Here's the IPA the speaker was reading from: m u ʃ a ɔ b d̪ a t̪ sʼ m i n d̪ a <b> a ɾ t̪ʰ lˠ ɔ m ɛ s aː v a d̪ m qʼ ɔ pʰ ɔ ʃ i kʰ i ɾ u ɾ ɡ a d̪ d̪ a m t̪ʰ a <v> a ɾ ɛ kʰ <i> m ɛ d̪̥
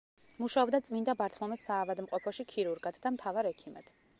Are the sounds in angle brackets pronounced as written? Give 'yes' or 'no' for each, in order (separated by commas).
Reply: yes, yes, yes